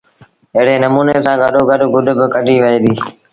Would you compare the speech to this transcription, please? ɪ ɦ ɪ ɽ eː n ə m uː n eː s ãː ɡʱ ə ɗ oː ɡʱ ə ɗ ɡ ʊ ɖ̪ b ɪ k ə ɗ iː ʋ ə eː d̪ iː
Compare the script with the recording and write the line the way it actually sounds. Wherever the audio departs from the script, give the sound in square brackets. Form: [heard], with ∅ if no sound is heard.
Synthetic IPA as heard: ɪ ɦ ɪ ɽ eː n ə m uː n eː s ãː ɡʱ ə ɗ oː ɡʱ ə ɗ ɡ ʊ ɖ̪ b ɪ k ə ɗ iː ʋ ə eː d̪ iː